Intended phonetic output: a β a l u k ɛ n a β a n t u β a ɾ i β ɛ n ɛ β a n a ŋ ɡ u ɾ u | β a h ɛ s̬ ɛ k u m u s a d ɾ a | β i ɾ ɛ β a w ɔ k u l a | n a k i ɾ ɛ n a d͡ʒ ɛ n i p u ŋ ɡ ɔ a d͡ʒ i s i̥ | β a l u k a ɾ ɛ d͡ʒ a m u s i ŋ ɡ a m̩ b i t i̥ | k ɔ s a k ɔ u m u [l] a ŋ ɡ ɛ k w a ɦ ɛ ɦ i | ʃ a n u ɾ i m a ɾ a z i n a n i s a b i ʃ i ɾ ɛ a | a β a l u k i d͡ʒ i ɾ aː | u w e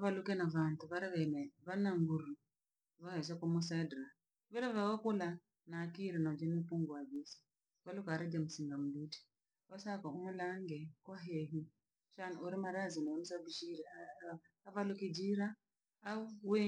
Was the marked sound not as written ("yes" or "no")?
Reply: no